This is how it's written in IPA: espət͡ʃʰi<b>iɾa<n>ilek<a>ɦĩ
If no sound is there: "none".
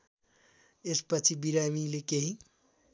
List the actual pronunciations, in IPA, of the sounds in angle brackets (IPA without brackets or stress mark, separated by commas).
b, m, e